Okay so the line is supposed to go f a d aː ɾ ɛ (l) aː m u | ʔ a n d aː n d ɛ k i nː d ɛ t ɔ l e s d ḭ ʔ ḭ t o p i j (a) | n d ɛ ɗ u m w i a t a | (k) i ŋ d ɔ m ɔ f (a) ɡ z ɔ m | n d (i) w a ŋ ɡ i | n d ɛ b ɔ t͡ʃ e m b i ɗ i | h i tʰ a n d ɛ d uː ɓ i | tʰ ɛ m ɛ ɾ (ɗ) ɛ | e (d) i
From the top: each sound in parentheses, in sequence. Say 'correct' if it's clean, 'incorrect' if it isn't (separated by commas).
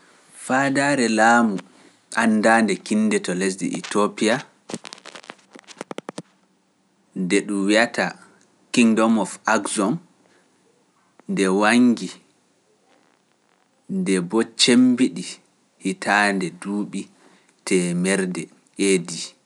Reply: correct, correct, correct, correct, incorrect, incorrect, correct